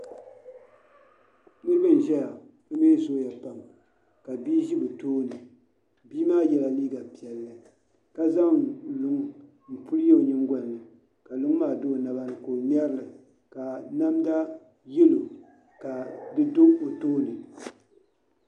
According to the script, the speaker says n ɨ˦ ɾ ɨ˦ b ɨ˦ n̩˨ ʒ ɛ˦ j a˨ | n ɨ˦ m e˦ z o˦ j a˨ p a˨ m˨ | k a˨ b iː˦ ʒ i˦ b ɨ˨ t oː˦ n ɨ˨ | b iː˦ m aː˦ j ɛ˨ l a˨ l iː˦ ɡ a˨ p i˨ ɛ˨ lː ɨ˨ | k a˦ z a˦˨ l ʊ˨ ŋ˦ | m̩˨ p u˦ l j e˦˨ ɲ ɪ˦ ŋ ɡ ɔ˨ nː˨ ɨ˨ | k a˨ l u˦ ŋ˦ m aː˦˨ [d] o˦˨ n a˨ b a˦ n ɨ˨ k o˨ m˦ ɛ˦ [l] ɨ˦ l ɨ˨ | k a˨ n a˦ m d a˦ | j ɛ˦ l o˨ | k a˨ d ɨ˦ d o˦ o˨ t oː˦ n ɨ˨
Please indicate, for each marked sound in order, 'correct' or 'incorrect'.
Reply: correct, incorrect

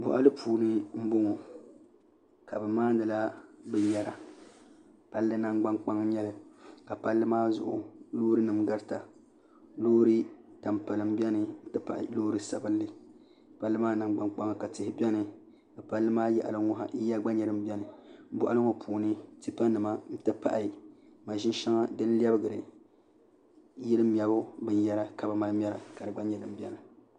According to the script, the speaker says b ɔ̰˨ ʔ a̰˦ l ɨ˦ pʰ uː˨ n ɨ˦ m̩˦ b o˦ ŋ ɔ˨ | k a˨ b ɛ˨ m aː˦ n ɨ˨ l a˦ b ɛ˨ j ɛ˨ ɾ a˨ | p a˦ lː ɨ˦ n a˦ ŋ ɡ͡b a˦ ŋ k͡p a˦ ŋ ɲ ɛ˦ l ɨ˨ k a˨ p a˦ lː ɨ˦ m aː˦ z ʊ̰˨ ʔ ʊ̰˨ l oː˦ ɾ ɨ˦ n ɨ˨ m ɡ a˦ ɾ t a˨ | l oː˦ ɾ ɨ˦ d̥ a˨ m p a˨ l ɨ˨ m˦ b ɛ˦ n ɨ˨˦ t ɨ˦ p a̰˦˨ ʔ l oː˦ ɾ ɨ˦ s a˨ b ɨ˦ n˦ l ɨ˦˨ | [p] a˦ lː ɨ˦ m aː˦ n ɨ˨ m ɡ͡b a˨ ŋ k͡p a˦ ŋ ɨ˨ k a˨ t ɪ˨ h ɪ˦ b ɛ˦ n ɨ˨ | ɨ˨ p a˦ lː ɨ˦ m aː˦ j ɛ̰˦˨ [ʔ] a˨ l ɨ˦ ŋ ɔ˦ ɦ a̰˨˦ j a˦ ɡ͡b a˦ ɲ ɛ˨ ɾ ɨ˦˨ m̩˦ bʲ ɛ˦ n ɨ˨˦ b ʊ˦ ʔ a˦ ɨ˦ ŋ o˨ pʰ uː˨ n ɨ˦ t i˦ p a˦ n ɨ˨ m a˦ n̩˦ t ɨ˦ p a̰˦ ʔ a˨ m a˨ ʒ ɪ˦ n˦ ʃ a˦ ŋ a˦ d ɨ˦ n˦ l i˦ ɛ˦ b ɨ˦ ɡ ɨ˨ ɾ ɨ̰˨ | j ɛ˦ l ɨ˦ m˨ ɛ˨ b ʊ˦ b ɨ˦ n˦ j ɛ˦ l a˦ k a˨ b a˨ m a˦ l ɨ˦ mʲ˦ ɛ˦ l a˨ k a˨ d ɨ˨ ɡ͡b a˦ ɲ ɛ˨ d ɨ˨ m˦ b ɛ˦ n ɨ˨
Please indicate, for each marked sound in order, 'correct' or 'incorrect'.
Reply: correct, correct

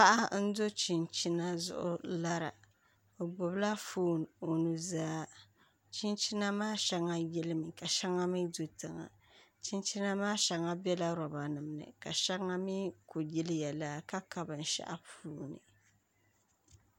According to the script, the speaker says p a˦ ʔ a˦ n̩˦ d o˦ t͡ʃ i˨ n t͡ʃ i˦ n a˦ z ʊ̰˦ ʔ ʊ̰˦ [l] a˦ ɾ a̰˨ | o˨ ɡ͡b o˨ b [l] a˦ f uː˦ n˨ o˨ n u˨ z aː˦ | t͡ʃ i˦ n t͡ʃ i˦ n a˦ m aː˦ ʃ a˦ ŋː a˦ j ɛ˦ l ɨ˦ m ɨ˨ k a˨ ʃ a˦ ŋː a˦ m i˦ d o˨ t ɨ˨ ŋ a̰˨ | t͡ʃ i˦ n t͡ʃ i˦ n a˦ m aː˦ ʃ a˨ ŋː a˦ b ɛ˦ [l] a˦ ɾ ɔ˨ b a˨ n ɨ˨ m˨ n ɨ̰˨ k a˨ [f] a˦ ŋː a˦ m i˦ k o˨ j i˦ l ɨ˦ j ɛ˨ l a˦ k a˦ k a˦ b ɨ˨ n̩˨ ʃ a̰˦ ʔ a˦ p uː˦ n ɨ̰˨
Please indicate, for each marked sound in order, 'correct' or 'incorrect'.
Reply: correct, correct, correct, incorrect

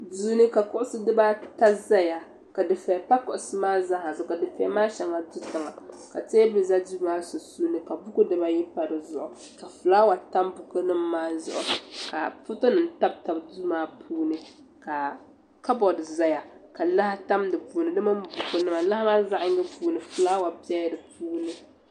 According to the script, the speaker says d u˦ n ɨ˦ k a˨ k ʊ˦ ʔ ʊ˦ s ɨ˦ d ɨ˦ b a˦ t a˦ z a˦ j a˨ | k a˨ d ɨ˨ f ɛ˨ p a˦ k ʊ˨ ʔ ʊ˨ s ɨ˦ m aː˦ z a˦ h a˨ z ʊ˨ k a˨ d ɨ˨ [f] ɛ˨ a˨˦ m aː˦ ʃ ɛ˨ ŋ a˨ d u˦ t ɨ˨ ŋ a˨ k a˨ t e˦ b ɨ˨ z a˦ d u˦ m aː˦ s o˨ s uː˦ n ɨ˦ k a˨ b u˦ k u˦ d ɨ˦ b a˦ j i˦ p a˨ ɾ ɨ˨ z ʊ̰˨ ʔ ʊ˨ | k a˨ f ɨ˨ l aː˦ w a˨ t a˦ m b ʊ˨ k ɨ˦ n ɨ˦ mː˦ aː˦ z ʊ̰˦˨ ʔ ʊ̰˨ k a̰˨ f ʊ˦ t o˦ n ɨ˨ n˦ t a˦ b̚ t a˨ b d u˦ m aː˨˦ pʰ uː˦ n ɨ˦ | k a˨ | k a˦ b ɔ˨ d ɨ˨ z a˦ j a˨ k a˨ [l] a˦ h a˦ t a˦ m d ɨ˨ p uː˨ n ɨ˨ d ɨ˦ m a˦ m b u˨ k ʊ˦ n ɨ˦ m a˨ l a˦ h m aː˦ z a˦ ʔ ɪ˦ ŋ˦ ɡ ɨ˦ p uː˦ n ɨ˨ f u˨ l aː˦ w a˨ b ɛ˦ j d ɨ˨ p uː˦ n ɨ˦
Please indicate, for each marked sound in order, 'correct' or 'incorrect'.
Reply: correct, correct

